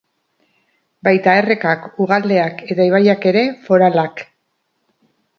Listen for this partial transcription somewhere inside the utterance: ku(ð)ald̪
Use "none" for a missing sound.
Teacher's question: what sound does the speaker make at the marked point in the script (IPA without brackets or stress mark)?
ɣ